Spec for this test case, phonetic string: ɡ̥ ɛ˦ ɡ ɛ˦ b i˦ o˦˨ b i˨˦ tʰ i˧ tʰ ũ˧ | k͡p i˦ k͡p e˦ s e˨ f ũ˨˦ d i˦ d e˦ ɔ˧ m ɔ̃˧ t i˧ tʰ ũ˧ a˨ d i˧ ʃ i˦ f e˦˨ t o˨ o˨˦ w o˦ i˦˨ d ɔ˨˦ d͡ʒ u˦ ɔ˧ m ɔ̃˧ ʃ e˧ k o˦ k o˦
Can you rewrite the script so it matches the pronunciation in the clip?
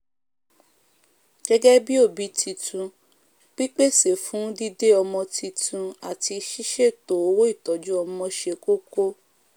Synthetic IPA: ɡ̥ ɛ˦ ɡ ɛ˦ b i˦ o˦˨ b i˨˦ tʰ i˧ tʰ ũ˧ | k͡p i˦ k͡p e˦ s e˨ f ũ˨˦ d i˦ d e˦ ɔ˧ m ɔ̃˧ t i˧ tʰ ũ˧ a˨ t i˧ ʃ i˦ ʃ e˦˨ t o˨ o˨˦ w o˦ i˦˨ t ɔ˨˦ d͡ʒ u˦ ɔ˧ m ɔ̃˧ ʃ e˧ k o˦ k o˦

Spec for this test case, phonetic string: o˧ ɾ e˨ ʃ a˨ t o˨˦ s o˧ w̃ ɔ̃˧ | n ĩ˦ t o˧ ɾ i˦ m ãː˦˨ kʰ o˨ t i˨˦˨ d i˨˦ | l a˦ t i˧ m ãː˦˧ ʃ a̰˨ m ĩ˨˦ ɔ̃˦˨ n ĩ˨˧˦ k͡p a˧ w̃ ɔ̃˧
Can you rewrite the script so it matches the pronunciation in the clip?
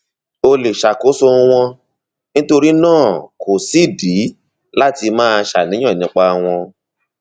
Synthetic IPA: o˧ l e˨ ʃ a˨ k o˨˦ s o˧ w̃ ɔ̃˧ | n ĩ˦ t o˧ ɾ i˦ n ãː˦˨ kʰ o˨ s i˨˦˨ d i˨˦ | l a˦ t i˧ m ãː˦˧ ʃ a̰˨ n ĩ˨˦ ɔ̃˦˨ n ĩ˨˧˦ k͡p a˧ w̃ ɔ̃˧

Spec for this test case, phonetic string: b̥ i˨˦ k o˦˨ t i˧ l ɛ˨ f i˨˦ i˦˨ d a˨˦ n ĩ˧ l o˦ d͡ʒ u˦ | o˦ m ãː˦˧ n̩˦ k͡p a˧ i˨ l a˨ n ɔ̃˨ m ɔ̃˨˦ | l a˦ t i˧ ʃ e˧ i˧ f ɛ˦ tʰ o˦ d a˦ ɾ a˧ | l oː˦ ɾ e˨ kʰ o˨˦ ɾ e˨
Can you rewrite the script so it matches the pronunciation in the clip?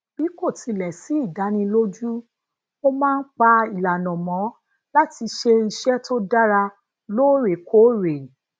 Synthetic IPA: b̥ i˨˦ k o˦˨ t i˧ l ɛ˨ s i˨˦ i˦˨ d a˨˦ n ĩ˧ l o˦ d͡ʒ u˦ | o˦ m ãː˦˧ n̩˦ k͡p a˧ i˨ l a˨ n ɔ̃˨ m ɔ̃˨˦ | l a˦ t i˧ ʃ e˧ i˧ ʃ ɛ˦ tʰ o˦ d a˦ ɾ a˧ | l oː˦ ɾ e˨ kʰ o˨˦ ɾ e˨

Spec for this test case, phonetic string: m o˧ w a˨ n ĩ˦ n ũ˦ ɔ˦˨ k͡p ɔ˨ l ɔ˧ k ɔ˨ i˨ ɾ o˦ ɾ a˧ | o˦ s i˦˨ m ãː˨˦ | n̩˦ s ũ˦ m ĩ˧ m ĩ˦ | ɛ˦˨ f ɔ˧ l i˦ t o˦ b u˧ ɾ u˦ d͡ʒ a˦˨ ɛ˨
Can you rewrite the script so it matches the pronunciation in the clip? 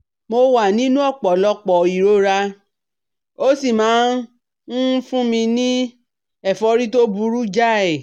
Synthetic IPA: m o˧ w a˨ n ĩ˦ n ũ˦ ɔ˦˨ k͡p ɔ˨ l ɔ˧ k͡p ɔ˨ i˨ ɾ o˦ ɾ a˧ | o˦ s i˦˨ m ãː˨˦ | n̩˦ f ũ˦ m ĩ˧ n ĩ˦ | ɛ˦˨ f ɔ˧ ɾ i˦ t o˦ b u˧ ɾ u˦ d͡ʒ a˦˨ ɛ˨

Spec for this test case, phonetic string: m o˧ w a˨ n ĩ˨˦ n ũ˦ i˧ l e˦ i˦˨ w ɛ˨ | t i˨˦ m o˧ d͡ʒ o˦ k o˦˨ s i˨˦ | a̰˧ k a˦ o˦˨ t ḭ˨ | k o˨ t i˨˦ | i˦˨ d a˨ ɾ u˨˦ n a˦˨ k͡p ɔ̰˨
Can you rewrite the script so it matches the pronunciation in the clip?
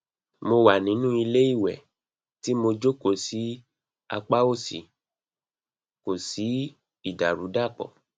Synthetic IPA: m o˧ w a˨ n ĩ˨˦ n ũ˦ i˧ l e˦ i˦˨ w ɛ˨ | t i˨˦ m o˧ d͡ʒ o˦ k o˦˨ s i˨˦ | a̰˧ k͡p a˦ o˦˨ s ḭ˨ | k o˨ s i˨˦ | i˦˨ d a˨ ɾ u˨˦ d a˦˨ k͡p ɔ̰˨

